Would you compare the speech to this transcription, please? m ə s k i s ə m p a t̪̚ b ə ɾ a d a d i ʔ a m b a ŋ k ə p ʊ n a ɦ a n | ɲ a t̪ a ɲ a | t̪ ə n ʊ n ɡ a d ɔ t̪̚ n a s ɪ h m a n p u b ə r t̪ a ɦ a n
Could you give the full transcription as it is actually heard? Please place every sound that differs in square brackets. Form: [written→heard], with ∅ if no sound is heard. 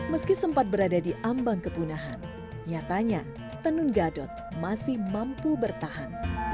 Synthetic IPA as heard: m ə s k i s ə m p a t̪̚ b ə ɾ a d a d i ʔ a m b a ŋ k ə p [ʊ→u] n a ɦ a n | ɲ a t̪ a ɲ a | t̪ ə n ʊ n ɡ a d ɔ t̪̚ [n→m] a s ɪ h m a [n→m] p u b ə r t̪ a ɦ a n